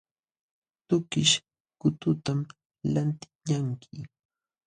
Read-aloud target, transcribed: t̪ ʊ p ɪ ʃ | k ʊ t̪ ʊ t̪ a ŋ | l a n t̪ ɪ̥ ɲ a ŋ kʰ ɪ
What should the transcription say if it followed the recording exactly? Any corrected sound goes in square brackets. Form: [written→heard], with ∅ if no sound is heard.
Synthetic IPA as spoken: t̪ ʊ [p→k] ɪ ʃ | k ʊ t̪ ʊ t̪ a [ŋ→m] | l a n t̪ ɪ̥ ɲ a ŋ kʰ ɪ